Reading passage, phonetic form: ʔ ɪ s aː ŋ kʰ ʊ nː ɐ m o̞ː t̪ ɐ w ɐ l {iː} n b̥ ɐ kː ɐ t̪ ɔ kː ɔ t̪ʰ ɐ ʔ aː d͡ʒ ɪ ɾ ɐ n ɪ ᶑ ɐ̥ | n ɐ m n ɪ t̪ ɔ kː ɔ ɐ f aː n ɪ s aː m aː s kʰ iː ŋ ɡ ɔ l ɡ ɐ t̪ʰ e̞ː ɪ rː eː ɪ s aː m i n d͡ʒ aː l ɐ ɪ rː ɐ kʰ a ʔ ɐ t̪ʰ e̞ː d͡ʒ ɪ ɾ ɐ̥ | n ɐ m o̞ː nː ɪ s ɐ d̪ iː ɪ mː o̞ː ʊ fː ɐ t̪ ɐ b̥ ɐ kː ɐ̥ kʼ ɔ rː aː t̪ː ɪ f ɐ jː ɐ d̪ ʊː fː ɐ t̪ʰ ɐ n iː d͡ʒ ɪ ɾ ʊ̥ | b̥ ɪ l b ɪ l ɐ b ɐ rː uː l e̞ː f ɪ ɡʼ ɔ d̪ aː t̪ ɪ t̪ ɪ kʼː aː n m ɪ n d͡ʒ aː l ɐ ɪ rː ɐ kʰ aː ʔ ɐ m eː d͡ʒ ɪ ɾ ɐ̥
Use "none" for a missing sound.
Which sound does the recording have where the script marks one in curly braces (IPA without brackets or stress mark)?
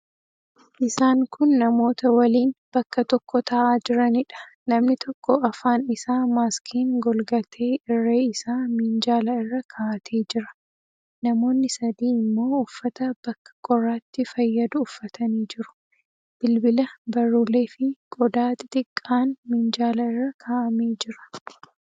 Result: iː